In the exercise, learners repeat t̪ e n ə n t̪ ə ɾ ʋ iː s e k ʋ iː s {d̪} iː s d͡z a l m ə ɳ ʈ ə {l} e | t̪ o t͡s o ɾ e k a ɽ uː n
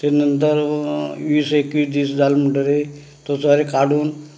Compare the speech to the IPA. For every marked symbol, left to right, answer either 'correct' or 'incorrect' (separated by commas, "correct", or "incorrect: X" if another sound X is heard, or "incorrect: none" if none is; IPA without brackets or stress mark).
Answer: correct, incorrect: ɾ